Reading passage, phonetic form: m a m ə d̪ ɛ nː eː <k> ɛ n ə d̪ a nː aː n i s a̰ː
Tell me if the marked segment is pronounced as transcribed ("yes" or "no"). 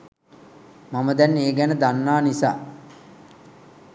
no